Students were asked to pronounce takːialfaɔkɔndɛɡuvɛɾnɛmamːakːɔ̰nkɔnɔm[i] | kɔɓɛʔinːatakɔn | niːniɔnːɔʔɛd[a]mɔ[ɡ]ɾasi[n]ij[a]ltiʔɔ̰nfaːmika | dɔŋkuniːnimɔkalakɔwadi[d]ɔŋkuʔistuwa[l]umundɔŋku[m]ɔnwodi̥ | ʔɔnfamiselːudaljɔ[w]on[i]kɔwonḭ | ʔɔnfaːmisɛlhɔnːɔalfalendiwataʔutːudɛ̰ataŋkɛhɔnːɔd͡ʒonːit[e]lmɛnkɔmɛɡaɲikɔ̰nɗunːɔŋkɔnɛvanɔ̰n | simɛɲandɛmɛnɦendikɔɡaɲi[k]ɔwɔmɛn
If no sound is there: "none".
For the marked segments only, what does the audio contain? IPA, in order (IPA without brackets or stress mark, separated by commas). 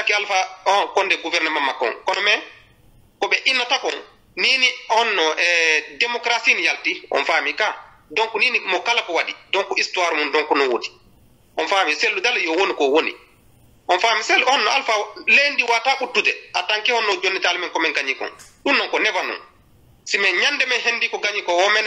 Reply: ɛ, ɛ, k, n, a, d, ɾ, n, w, i, a, k